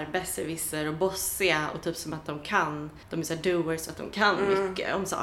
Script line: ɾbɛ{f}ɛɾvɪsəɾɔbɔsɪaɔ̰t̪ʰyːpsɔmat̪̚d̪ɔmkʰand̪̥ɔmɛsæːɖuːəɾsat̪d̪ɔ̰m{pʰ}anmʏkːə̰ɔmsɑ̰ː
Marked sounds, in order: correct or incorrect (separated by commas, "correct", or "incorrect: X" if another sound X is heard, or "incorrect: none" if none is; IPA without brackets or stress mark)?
incorrect: s, incorrect: kʰ